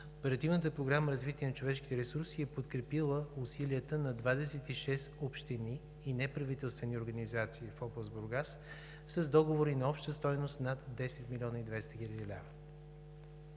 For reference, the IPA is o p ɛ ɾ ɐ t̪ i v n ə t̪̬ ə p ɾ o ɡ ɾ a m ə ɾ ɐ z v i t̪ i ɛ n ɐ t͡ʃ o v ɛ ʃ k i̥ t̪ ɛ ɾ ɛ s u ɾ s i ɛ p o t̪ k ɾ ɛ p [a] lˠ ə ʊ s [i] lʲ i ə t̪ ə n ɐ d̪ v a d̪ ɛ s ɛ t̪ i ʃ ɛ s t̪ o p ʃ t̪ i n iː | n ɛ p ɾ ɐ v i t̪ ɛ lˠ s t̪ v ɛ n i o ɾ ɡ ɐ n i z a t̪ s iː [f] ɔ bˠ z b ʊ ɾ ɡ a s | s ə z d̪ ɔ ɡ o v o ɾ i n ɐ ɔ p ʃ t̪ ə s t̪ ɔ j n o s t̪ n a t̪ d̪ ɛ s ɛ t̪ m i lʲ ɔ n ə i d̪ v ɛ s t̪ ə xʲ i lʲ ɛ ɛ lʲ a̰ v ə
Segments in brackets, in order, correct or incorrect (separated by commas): incorrect, correct, correct